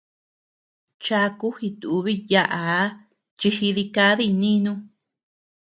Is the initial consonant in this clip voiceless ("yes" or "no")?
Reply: yes